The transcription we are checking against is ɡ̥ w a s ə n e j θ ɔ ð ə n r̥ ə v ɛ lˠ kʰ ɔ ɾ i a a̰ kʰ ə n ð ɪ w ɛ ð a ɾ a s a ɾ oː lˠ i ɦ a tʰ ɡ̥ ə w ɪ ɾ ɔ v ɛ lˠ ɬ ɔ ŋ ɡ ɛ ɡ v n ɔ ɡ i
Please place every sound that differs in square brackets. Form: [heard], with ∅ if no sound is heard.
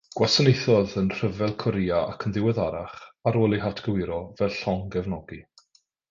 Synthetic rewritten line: ɡ̥ w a s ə n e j θ ɔ ð ə n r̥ ə v ɛ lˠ kʰ ɔ ɾ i a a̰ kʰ ə n ð ɪ w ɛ ð a ɾ a [χ] a ɾ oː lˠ i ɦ a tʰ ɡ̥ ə w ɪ ɾ ɔ v ɛ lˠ ɬ ɔ ŋ ɡ ɛ [∅] v n ɔ ɡ i